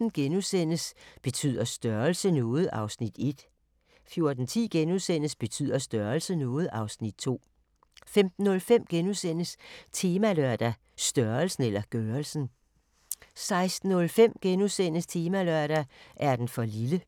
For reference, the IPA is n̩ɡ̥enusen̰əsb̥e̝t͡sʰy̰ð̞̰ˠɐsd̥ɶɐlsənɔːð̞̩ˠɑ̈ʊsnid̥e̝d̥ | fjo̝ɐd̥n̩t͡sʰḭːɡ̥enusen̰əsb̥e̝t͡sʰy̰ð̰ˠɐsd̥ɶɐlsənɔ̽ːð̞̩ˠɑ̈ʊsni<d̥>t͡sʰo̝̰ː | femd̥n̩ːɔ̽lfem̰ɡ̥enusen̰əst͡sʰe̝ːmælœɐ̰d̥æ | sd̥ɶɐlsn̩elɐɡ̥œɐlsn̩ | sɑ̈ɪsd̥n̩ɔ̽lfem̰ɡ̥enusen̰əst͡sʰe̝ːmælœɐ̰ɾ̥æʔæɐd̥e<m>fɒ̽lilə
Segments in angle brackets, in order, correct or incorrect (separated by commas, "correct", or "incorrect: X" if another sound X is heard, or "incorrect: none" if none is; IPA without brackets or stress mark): correct, incorrect: n